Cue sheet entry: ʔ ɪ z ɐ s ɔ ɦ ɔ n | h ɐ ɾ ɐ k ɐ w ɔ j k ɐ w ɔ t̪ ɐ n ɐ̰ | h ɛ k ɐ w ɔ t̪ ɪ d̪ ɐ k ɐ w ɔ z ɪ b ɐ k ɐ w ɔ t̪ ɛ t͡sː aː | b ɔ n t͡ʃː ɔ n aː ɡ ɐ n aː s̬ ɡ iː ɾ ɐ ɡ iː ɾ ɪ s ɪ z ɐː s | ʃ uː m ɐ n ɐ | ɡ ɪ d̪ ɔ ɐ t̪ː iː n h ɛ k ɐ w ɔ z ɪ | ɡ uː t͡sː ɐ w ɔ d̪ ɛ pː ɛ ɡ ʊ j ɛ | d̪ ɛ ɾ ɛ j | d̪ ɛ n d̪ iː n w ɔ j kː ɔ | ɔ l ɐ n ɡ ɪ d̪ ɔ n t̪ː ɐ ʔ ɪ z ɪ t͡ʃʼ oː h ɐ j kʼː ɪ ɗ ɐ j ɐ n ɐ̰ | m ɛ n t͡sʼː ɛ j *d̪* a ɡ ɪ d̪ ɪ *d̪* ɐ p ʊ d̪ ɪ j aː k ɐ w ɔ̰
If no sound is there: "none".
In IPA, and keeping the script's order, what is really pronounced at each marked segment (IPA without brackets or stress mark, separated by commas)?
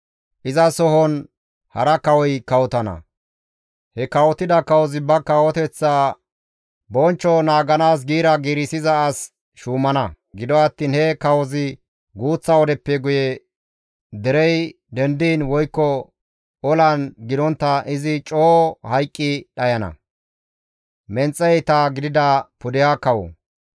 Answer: t̪, d̪